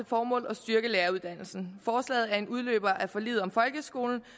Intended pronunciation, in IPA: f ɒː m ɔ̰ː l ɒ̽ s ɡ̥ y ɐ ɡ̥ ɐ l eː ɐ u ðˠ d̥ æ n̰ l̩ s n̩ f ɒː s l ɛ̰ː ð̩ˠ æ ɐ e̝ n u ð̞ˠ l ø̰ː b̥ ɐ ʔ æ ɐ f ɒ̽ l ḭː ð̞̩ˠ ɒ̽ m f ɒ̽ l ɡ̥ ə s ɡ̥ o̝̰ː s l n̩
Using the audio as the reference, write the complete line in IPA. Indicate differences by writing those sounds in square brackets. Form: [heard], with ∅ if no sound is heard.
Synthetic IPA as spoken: f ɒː m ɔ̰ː l ɒ̽ s [d̥] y ɐ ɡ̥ [ə] l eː ɐ u ðˠ d̥ æ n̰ l̩ s n̩ f ɒː s l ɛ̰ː ð̩ˠ æ ɐ e̝ n u ð̞ˠ l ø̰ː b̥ ɐ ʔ æ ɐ f ɒ̽ l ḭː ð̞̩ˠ ɒ̽ m f ɒ̽ l ɡ̥ ə s ɡ̥ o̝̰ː [∅] l n̩